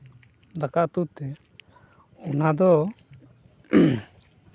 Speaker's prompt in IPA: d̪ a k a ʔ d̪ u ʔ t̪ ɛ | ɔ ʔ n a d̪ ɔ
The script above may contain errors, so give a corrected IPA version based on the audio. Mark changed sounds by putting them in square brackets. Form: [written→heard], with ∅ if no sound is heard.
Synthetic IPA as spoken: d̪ a k a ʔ [d̪→t̪] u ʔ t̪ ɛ | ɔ [ʔ→∅] n a d̪ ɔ